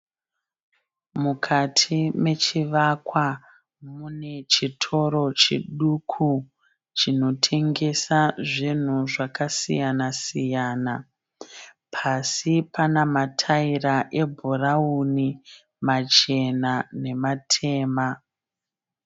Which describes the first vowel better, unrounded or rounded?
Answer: rounded